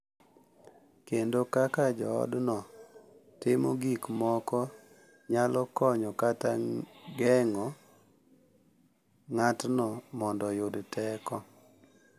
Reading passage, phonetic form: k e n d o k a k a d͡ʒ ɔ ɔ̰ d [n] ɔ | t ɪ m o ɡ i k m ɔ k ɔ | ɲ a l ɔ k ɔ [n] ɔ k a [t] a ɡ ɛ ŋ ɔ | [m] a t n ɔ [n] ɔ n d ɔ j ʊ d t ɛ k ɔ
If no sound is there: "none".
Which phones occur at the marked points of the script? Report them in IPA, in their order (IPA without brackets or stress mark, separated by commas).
n, ɲ, t, ŋ, m